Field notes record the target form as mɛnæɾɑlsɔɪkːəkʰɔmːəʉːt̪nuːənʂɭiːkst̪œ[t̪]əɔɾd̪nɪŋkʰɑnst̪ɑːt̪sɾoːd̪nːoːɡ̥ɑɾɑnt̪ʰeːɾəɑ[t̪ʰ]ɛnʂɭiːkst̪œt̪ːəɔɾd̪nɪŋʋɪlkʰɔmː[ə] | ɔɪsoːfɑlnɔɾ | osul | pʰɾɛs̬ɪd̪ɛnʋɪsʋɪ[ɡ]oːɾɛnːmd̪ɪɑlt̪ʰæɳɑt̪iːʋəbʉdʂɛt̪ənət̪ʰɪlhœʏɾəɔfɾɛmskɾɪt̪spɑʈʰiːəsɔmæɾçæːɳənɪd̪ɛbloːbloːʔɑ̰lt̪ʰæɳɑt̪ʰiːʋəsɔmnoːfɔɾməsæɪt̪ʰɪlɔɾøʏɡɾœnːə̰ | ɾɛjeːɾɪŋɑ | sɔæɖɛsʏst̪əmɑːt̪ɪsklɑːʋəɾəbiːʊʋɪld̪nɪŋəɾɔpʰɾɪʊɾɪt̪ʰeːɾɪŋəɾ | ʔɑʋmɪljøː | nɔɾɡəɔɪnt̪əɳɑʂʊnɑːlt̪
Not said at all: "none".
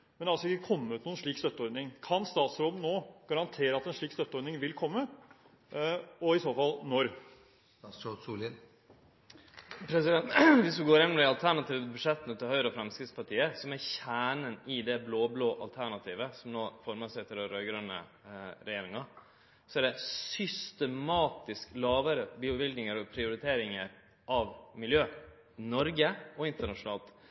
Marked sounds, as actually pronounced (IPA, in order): t̪, t̪, ə, ɡ

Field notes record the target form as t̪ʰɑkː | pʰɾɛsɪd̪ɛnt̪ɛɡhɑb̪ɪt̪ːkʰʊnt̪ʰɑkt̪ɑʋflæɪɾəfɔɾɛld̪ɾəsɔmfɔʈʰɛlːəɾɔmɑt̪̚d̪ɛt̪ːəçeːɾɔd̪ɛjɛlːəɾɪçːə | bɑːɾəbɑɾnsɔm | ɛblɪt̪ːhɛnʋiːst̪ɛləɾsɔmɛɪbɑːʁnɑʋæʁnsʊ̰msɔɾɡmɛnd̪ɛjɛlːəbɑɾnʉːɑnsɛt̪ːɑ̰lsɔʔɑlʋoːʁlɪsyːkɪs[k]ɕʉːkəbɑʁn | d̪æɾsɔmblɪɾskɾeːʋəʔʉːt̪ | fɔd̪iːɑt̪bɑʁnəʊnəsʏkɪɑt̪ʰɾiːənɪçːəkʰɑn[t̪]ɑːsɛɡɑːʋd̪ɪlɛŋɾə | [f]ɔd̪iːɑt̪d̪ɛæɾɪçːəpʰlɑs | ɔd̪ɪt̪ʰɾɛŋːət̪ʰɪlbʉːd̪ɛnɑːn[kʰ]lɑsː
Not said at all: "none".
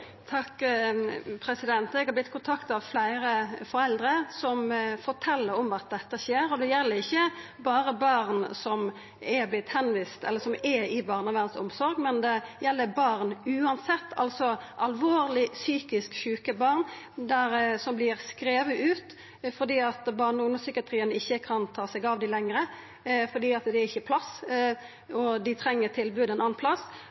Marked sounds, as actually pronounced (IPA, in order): k, t̪ʰ, f, pʰ

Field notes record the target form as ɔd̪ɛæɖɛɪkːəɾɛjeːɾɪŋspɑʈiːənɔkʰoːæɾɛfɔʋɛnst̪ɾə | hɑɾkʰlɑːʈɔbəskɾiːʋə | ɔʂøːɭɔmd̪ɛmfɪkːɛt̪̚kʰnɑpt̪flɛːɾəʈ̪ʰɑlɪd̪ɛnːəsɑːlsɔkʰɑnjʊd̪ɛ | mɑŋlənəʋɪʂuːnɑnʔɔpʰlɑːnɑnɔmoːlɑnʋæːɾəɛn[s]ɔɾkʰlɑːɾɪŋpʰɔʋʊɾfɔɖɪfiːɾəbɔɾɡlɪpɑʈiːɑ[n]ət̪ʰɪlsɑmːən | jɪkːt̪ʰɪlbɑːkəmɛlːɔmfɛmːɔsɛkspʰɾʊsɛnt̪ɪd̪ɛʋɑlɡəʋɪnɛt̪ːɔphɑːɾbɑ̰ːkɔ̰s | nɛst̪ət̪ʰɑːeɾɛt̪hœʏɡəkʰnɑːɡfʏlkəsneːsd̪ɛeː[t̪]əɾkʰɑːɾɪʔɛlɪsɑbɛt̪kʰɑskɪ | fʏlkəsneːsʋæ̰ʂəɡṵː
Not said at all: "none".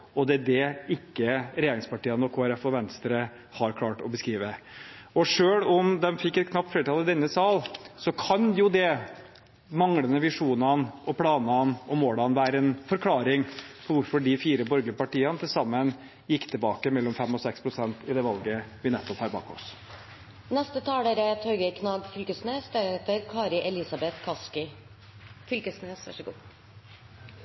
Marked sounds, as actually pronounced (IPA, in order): f, n, t̪

